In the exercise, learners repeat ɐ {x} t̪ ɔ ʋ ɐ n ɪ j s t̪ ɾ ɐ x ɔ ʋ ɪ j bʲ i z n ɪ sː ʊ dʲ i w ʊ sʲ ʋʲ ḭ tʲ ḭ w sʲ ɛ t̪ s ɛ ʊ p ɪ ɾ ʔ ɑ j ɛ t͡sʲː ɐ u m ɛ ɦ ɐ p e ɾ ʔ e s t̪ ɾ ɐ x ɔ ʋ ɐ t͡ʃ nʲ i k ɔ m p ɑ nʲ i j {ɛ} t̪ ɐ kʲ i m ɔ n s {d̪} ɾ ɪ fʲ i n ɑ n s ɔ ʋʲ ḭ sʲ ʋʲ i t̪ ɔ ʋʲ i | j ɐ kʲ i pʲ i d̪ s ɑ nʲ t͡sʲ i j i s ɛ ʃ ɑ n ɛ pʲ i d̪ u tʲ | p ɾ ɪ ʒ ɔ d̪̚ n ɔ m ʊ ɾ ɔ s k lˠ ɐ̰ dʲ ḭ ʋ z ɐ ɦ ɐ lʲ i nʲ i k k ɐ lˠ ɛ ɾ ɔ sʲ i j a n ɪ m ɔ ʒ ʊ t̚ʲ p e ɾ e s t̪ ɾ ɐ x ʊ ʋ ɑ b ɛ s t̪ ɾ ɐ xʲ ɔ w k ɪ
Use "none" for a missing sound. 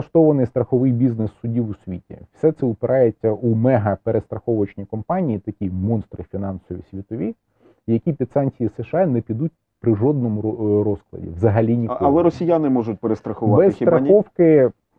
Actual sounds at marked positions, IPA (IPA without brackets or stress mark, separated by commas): ʃ, i, t̪